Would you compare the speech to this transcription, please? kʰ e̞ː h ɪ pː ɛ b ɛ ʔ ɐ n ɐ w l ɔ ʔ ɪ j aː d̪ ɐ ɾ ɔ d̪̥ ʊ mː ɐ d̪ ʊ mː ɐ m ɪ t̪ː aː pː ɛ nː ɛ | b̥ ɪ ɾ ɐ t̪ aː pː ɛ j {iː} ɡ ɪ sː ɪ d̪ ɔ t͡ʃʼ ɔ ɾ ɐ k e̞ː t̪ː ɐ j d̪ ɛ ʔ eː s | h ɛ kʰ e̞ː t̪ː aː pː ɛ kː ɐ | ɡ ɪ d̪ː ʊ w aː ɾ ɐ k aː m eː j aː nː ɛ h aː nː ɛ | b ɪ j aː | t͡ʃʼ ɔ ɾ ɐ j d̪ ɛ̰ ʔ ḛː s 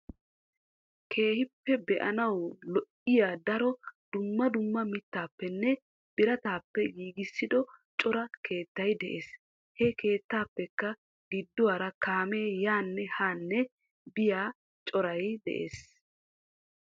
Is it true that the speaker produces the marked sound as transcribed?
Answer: yes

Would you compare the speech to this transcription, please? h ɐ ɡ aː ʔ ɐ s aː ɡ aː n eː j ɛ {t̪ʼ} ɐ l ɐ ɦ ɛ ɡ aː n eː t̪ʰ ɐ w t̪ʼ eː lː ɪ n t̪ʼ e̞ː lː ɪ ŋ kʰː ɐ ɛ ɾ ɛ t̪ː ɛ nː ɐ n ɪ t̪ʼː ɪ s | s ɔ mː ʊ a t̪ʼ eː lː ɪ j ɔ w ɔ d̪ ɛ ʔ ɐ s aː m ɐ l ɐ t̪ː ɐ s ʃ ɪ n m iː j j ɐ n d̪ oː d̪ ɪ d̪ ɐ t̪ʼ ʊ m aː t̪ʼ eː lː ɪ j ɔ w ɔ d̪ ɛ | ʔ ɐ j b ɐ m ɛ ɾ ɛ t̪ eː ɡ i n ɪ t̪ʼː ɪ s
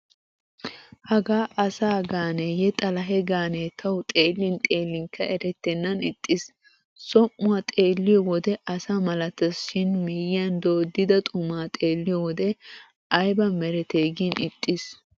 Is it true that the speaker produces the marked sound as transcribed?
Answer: yes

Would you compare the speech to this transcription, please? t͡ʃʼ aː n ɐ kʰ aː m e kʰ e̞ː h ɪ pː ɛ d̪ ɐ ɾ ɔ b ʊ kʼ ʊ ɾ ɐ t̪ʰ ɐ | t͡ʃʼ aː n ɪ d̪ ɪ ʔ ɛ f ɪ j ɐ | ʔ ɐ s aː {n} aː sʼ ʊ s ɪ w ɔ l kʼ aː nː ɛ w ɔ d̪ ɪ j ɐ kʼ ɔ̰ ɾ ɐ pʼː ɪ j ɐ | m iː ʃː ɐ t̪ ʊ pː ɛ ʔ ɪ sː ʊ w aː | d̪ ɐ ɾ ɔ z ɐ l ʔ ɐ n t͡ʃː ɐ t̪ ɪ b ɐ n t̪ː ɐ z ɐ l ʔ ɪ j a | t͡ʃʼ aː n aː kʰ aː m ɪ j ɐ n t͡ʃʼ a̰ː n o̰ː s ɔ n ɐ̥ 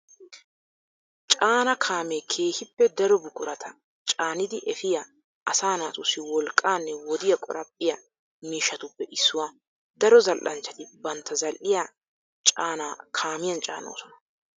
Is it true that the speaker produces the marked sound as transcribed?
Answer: yes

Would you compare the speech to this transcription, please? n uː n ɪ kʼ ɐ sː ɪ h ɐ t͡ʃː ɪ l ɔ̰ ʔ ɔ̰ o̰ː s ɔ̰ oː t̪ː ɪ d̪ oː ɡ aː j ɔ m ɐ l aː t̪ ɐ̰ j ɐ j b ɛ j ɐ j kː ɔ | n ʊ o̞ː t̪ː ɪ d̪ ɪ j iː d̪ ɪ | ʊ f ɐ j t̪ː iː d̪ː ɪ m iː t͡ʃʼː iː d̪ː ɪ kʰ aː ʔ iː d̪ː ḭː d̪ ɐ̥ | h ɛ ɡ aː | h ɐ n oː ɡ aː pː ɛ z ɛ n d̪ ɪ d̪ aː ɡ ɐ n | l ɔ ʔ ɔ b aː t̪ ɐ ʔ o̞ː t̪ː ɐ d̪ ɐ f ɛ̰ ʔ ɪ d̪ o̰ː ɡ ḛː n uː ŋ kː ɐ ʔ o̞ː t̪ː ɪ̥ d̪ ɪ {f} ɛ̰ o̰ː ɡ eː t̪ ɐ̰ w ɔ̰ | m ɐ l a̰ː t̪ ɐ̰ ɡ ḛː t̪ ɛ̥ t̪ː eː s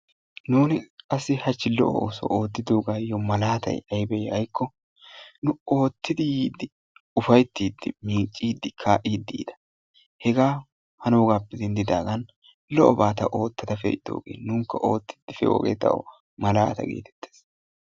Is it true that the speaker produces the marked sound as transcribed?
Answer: yes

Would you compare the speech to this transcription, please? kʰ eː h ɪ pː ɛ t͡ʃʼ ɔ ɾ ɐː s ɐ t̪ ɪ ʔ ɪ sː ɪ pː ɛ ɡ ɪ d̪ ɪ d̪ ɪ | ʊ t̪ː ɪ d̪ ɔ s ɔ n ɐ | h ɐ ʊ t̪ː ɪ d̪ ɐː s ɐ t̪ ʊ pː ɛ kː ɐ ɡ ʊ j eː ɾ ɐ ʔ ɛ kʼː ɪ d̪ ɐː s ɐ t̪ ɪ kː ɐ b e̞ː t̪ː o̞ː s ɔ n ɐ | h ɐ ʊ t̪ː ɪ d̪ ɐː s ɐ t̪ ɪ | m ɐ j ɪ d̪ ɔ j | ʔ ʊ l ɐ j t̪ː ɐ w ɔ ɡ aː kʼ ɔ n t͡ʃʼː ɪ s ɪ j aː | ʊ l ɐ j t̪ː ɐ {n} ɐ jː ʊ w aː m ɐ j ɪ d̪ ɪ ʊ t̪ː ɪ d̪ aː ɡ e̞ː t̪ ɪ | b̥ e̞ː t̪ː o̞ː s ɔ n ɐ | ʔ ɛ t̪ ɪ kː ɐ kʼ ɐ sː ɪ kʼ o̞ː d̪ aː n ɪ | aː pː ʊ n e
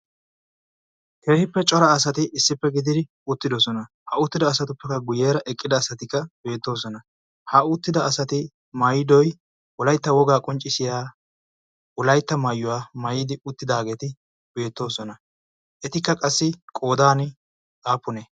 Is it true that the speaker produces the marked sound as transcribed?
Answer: no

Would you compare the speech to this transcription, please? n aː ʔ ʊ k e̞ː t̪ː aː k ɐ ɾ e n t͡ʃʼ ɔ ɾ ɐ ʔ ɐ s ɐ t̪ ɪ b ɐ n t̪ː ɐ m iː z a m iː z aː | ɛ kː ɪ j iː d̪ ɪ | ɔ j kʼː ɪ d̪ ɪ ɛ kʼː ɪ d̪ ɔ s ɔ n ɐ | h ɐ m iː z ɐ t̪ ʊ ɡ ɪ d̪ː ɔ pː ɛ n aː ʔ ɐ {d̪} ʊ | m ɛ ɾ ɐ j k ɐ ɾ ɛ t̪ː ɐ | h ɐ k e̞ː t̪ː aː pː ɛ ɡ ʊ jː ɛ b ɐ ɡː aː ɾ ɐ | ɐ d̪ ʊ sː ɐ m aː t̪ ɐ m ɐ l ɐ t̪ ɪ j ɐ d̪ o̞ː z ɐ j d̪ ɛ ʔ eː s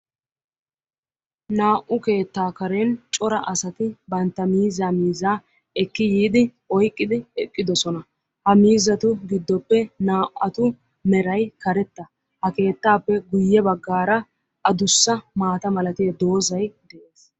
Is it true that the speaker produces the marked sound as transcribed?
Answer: no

